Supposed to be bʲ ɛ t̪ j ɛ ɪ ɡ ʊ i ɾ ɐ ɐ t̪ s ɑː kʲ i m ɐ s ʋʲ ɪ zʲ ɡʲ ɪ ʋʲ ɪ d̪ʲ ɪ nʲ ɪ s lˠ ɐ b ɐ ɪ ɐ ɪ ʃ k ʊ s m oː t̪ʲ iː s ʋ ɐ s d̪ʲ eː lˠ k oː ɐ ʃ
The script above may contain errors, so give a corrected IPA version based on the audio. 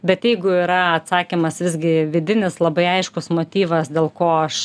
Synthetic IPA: bʲ ɛ t̪ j ɛ ɪ ɡ ʊ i ɾ ɐ ɐ t̪ s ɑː kʲ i m ɐ s ʋʲ ɪ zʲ ɡʲ ɪ ʋʲ ɪ d̪ʲ ɪ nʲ ɪ s lˠ ɐ b ɐ ɪ ɐ ɪ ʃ k ʊ s m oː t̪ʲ iː ʋ ɐ s d̪ʲ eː lˠ k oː ɐ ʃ

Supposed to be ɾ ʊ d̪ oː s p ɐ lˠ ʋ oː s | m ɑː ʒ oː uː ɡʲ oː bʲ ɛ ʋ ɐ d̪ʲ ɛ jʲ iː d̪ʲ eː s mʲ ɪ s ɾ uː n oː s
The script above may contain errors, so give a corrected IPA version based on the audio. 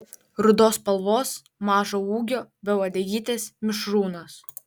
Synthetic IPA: ɾ ʊ d̪ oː s p ɐ lˠ ʋ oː s | m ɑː ʒ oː uː ɡʲ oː bʲ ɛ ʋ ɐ d̪ʲ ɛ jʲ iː t̪ʲ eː s mʲ ɪ ʃ ɾ uː n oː s

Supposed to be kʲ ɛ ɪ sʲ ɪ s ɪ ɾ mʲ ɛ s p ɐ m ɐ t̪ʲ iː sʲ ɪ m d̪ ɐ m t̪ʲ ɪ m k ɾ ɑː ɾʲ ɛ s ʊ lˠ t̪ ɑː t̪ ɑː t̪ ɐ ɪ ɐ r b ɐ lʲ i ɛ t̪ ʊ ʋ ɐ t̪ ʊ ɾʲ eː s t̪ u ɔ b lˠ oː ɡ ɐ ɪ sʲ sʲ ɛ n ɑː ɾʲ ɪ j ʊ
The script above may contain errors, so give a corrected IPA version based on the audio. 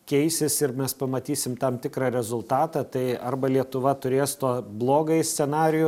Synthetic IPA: kʲ ɛ ɪ sʲ ɪ s ɪ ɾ mʲ ɛ s p ɐ m ɐ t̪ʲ iː sʲ ɪ m t̪ ɐ m t̪ʲ ɪ k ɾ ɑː ɾʲ ɛ z ʊ lˠ t̪ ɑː t̪ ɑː t̪ ɐ ɪ ɐ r b ɐ lʲ i ɛ t̪ ʊ ʋ ɐ t̪ ʊ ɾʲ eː s t̪ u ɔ b lˠ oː ɡ ɐ ɪ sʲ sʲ ɛ n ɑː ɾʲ ɪ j ʊ

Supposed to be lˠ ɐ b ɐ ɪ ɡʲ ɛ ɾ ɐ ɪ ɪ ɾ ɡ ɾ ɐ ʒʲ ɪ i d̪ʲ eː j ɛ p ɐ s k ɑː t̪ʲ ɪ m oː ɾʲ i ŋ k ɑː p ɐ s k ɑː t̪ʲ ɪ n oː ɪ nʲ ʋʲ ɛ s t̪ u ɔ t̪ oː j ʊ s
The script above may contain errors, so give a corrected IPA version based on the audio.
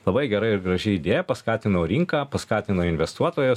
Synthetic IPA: lˠ ɐ b ɐ ɪ ɡʲ ɛ ɾ ɐ ɪ ɪ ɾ ɡ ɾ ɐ ʒʲ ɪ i d̪ʲ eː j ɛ p ɐ s k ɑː t̪ʲ ɪ n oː ɾʲ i ŋ k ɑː p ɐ s k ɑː t̪ʲ ɪ n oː ɪ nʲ ʋʲ ɛ s t̪ u ɔ t̪ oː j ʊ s

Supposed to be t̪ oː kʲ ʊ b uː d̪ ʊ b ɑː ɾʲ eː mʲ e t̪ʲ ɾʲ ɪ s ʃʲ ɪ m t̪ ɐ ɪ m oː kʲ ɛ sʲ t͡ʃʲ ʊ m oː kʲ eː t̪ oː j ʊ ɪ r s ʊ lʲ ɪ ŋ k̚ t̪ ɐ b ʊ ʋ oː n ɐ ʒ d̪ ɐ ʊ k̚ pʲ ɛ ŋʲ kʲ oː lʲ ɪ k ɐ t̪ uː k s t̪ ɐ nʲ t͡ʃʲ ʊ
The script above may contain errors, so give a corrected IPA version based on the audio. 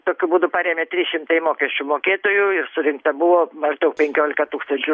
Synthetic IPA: t̪ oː kʲ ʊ b uː d̪ ʊ p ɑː ɾʲ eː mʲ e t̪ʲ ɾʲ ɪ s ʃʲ ɪ m t̪ ɐ ɪ m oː kʲ ɛ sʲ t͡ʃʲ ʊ m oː kʲ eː t̪ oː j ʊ ɪ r s ʊ ɾʲ ɪ ŋ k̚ t̪ ɐ b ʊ ʋ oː m ɐ ʒ d̪ ɐ ʊ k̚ pʲ ɛ ŋʲ kʲ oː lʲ ɪ k ɐ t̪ uː k s t̪ ɐ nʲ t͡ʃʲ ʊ

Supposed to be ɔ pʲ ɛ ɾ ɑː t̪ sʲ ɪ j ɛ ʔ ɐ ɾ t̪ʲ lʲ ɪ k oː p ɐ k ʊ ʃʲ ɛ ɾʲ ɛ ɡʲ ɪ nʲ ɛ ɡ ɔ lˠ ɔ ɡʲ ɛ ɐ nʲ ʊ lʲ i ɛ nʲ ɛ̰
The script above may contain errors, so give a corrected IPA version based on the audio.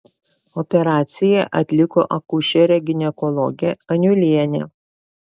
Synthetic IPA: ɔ pʲ ɛ ɾ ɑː t̪ sʲ ɪ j ɛ ʔ ɐ t̪ʲ lʲ ɪ k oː ʔ ɐ k ʊ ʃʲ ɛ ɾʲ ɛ ɡʲ ɪ nʲ ɛ k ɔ lˠ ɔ ɡʲ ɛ ɐ nʲ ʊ lʲ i ɛ nʲ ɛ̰

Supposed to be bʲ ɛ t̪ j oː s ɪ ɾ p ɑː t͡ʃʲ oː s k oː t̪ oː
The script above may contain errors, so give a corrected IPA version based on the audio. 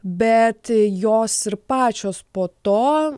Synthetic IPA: bʲ ɛ t̪ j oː s ɪ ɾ p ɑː t͡ʃʲ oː s p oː t̪ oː

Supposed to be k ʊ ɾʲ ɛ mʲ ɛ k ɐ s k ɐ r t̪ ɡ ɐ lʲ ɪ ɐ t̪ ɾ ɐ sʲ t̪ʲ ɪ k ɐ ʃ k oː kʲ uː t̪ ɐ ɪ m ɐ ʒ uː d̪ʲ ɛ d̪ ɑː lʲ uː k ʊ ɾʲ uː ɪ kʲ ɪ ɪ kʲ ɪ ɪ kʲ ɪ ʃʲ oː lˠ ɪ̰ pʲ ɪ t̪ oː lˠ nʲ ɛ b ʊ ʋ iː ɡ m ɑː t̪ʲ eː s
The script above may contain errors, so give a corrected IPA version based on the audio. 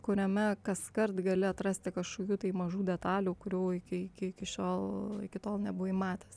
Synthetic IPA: k ʊ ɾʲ ɛ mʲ ɛ k ɐ s k ɐ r t̪ ɡ ɐ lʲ ɪ ɐ t̪ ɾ ɐ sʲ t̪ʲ ɪ k ɐ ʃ k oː kʲ uː t̪ ɐ ɪ m ɐ ʒ uː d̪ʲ ɛ t̪ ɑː lʲ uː k ʊ ɾʲ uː ɪ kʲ ɪ ɪ kʲ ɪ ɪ kʲ ɪ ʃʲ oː lˠ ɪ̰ kʲ ɪ t̪ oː lˠ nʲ ɛ b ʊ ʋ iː m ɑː t̪ʲ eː s

